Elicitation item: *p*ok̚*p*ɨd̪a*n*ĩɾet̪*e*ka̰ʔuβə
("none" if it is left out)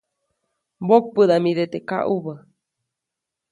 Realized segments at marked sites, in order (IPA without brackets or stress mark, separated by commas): b, p, m, e